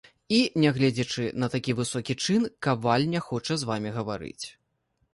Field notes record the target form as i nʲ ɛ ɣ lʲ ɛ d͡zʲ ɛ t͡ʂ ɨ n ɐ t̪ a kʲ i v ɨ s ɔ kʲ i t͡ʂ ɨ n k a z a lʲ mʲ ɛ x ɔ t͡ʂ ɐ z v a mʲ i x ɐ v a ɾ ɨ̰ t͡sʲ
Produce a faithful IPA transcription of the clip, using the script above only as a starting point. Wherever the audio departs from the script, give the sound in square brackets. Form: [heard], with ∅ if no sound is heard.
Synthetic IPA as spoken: i nʲ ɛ ɣ lʲ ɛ d͡zʲ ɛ t͡ʂ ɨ n ɐ t̪ a kʲ i v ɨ s ɔ kʲ i t͡ʂ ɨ n k a [v] a lʲ [nʲ] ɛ x ɔ t͡ʂ ɐ z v a mʲ i [ɣ] ɐ v a ɾ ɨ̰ t͡sʲ